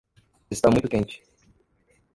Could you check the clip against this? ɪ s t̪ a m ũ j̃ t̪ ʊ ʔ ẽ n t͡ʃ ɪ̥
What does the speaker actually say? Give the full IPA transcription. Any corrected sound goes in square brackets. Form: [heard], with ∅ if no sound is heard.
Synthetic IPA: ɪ s t̪ a m ũ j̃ t̪ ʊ [k] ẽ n t͡ʃ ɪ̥